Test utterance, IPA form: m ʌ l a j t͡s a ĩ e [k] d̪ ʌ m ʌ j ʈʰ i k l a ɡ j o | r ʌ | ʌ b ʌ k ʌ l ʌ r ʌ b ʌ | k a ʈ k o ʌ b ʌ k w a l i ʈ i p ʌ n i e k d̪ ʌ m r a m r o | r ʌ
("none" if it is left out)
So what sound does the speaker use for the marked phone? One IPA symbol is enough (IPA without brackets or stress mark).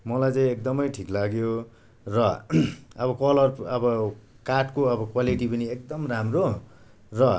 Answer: k